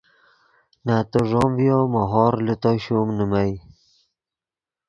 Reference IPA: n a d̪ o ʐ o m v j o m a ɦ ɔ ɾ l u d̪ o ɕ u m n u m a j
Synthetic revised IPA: n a t̪ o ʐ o m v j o m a ɦ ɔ ɾ l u t̪ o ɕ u m n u m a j